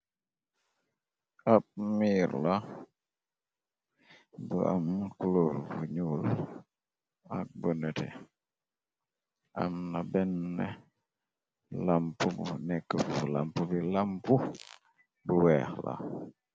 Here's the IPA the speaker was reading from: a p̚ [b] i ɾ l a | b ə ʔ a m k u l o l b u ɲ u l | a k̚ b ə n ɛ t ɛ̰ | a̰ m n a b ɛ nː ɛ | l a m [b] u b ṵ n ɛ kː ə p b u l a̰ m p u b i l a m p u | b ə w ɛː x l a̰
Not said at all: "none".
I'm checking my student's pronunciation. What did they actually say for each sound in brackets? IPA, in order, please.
m, p

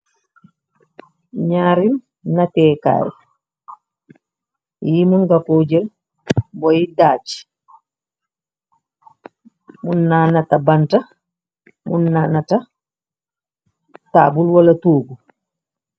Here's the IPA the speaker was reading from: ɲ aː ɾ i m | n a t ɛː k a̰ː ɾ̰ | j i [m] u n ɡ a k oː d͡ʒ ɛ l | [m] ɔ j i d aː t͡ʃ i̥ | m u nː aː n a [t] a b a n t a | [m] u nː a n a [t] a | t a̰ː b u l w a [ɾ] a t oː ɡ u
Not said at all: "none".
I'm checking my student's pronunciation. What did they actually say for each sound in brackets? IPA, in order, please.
m, b, t, m, t, l

